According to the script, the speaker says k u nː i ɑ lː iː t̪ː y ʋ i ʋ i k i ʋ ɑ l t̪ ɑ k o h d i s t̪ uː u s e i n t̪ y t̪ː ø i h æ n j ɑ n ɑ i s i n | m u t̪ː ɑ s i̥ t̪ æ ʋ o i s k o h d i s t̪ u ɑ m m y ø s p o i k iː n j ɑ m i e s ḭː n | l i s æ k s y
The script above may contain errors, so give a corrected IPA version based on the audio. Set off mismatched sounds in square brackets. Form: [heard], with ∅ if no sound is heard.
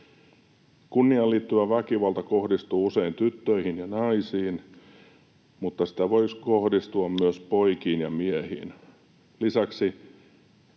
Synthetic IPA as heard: k u nː i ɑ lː iː t̪ː y ʋ [æ] ʋ [æ] k i ʋ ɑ l t̪ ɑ k o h d i s t̪ uː u s e i n t̪ y t̪ː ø i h [i] n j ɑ n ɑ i s [iː] n | m u t̪ː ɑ s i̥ t̪ æ ʋ o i s k o h d i s t̪ u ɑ m m y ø s p o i k iː n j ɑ m i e [h] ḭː n | l i s æ k s [i]

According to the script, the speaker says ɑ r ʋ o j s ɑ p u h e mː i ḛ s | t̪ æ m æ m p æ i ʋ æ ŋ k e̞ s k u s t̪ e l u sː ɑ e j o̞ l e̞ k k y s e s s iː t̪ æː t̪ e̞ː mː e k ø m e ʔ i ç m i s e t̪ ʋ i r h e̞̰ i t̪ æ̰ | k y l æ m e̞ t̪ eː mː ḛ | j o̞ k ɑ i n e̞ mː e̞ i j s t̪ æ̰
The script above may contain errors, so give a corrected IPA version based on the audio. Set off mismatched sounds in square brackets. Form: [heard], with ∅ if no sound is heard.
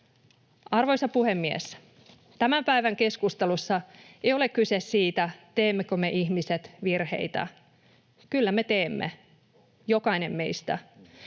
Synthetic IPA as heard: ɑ r ʋ o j s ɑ p u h e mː i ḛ s | t̪ æ m æ m p æ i ʋ æ ŋ k e̞ s k u s t̪ e l u sː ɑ e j o̞ l e̞ k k y s e s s iː t̪ [æ] t̪ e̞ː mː e k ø m e ʔ i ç m i s e t̪ ʋ i r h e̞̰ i t̪ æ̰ | k y [lː] æ m e̞ t̪ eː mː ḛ | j o̞ k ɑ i n e̞ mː e̞ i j s t̪ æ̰

